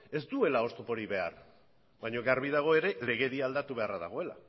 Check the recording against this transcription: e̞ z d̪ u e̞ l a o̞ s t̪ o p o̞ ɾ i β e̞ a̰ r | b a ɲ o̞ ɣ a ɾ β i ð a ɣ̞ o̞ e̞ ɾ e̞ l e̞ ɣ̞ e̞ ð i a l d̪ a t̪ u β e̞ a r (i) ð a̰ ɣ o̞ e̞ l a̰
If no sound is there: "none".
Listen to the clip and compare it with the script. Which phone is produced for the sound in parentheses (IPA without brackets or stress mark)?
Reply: a